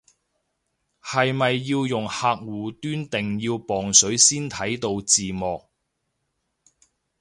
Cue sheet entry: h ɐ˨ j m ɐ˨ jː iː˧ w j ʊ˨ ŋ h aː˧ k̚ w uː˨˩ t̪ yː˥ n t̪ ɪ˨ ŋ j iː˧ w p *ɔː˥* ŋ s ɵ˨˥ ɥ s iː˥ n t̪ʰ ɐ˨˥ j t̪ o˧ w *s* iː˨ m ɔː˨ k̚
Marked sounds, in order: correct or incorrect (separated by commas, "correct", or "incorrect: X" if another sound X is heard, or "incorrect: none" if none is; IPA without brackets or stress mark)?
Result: incorrect: ɔː˨˩, incorrect: t͡s